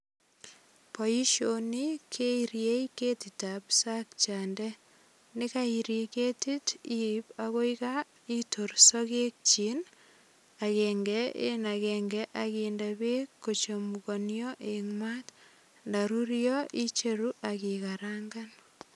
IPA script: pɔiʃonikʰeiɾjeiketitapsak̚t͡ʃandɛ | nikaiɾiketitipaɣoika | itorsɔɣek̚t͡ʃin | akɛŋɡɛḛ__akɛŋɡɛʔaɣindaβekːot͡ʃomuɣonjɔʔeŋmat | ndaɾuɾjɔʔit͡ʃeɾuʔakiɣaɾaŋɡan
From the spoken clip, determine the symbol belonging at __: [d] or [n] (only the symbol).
n